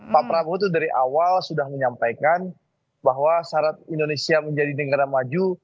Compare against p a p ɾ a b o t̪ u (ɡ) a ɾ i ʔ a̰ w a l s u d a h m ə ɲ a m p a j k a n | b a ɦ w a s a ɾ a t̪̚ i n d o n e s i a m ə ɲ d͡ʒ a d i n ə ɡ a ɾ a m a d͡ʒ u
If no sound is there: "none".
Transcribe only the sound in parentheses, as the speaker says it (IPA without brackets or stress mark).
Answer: d